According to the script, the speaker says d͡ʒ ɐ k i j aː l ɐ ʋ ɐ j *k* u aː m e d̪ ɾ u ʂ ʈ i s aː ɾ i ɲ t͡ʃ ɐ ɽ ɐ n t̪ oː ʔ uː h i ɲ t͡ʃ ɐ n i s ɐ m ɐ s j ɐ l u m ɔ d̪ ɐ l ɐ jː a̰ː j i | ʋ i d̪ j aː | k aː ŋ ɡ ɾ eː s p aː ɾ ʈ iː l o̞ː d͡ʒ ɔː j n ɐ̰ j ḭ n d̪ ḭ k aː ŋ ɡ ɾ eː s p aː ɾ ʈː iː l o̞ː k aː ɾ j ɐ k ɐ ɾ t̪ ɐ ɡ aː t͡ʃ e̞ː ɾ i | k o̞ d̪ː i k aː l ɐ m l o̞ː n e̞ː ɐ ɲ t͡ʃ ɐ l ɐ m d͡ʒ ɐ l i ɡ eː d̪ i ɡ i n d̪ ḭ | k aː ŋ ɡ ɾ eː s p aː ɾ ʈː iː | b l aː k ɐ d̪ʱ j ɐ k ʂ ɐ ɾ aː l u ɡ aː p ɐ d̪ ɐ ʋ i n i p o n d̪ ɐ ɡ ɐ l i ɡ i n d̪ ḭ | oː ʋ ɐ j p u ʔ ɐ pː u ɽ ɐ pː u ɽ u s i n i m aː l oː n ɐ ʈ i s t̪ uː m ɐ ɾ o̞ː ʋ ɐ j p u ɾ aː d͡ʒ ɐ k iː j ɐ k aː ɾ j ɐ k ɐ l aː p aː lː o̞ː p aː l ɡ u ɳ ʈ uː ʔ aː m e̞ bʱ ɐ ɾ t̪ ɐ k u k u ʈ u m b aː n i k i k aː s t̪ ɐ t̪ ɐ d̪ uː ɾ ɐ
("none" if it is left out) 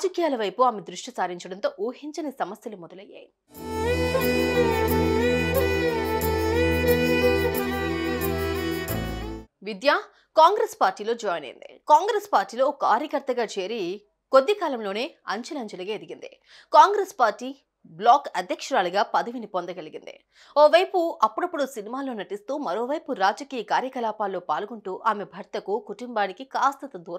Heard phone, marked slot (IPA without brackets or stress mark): p